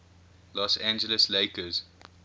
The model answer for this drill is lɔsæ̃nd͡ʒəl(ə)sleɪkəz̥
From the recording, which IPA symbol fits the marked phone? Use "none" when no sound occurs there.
ə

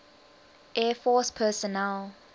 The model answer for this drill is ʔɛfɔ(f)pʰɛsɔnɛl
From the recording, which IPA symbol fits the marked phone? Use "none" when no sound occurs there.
s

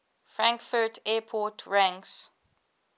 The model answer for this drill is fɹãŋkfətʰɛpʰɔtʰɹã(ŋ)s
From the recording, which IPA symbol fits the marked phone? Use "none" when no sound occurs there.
ŋ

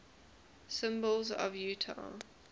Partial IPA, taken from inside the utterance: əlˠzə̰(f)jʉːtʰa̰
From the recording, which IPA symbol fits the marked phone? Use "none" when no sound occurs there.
v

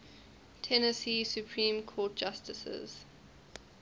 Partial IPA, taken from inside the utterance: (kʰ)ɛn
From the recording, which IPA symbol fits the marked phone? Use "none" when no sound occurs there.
tʰ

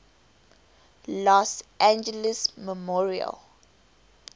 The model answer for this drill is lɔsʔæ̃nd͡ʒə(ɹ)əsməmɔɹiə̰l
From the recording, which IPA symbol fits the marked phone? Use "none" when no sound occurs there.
l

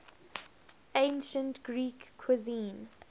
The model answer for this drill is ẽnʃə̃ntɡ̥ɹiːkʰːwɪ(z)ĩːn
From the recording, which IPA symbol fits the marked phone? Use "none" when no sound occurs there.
z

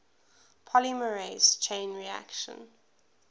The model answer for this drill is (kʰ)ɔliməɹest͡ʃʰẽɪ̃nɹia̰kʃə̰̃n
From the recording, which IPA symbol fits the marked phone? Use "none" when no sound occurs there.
pʰ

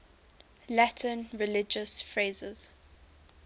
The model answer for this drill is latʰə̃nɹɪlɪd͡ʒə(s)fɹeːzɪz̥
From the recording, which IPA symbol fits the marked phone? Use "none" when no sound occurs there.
s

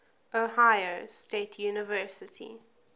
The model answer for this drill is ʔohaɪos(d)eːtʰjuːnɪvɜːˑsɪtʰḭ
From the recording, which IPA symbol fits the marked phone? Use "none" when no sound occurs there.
t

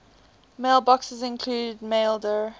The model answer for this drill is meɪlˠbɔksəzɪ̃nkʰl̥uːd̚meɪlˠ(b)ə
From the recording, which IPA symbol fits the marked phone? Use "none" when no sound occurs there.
d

